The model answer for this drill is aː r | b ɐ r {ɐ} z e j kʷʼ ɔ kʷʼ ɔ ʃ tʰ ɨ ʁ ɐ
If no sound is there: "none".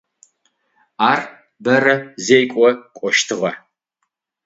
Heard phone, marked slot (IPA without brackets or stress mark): ɐ